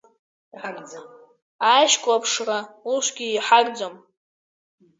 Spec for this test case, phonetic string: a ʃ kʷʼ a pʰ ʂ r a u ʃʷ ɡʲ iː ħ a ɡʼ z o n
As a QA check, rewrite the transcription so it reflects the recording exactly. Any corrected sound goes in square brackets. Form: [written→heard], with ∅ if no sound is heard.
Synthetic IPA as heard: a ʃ kʷʼ a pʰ ʂ r a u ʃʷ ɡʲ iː ħ a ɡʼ [z→d͡z] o [n→m]